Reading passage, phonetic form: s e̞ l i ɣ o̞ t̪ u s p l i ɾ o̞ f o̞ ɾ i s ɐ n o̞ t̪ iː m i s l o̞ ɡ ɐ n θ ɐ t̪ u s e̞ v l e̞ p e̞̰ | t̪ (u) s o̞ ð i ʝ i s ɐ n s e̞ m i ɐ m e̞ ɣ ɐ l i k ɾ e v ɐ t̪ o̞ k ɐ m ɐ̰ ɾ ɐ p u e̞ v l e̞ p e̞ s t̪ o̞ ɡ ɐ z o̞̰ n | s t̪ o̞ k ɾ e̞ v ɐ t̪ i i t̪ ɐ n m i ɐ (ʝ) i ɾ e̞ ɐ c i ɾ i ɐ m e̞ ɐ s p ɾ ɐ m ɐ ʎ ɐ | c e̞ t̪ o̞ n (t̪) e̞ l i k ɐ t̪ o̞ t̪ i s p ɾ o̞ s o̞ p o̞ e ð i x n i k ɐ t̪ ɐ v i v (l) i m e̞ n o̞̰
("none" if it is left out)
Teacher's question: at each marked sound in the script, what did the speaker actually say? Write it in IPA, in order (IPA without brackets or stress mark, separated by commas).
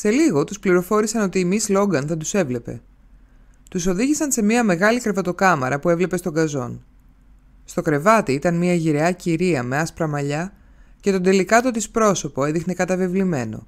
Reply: u, ʝ, d̪, l